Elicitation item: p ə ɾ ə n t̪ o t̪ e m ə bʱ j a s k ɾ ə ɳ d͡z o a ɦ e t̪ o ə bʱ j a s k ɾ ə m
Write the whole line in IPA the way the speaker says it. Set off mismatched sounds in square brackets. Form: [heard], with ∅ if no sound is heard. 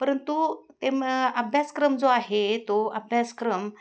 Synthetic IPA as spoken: p ə ɾ ə n t̪ [u] t̪ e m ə bʱ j a s k ɾ ə [m] d͡z o a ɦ e t̪ o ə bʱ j a s k ɾ ə m